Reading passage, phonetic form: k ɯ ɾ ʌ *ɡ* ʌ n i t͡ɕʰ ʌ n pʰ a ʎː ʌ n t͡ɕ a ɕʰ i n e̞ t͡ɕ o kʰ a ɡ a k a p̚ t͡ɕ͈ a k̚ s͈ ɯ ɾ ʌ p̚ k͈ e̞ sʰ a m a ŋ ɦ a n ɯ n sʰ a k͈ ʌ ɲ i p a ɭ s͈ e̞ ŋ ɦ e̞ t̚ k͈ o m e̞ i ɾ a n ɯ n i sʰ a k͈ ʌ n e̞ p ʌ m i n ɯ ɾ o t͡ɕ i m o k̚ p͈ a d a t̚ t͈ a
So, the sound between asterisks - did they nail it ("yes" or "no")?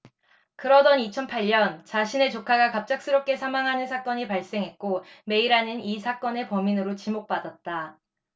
no